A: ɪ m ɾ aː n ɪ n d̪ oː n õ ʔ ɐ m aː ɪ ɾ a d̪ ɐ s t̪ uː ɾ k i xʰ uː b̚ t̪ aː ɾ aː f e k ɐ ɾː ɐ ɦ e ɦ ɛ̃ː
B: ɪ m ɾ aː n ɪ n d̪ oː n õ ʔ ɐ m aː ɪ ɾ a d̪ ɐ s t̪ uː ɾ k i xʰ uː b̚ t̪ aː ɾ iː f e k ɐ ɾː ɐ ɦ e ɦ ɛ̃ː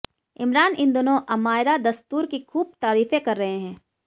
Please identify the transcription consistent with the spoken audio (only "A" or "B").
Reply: B